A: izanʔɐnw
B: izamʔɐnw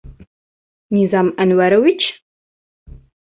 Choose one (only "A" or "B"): B